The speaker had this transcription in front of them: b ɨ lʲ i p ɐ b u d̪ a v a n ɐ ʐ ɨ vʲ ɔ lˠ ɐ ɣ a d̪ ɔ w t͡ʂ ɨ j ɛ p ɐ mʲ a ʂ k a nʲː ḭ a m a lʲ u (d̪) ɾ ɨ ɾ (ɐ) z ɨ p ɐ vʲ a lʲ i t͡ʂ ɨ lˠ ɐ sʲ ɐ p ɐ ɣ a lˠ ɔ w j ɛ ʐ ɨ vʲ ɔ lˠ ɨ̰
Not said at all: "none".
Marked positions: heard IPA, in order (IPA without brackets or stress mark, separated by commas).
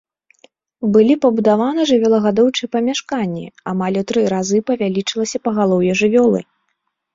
t̪, a